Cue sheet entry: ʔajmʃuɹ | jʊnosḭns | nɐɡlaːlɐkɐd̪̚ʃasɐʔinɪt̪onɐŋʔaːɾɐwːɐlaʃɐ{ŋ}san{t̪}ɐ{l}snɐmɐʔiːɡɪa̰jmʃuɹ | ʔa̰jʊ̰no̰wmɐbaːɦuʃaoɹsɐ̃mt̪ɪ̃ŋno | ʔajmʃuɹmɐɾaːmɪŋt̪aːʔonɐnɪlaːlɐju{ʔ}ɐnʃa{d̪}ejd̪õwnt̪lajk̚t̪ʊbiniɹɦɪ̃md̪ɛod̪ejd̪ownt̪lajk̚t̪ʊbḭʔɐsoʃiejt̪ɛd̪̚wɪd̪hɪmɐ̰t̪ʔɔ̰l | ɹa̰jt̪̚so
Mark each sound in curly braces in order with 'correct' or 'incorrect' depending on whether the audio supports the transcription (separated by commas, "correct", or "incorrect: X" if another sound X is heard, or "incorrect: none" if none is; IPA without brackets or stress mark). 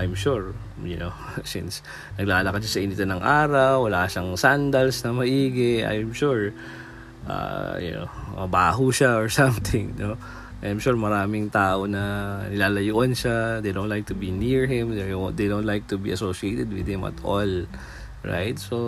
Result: correct, incorrect: d̪, correct, correct, correct